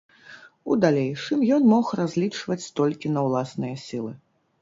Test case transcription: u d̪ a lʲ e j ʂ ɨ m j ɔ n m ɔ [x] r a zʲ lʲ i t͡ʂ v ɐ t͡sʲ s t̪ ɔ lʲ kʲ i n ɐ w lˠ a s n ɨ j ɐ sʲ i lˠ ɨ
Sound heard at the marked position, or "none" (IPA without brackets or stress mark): x